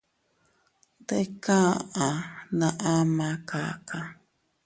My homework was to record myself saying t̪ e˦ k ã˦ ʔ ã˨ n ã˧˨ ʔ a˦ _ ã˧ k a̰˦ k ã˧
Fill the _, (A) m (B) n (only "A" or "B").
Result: A